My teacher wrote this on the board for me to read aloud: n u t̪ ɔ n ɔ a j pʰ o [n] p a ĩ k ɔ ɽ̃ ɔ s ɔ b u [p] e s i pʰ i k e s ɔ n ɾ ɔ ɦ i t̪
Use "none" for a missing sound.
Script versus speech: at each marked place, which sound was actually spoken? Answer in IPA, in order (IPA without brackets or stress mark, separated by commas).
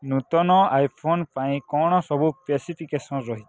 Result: n, p